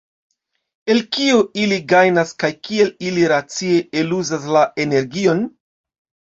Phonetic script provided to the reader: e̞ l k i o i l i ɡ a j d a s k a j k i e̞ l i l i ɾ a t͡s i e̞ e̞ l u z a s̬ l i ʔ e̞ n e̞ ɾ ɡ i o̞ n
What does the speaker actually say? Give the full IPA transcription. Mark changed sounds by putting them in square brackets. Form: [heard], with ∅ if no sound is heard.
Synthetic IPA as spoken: e̞ l k i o i l i ɡ a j [n] a s k a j k i e̞ l i l i ɾ a t͡s i e̞ e̞ l u z a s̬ l [a] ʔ e̞ n e̞ ɾ ɡ i o̞ n